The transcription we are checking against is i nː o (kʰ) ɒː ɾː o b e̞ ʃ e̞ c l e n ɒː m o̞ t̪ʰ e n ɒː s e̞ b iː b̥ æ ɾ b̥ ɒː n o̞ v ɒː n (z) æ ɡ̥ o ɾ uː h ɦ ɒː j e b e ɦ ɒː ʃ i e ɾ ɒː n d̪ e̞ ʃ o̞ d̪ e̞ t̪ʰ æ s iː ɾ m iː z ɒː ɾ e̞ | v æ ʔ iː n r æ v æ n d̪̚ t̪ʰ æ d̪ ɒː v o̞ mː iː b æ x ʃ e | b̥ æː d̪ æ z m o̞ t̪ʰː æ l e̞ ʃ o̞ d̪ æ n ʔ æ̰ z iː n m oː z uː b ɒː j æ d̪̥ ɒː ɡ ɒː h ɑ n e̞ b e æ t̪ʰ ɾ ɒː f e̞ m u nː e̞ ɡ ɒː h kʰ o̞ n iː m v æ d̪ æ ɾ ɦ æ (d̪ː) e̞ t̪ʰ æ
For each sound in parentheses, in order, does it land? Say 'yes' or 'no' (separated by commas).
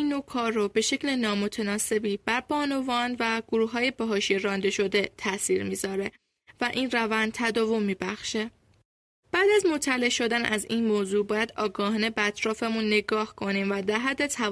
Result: yes, no, yes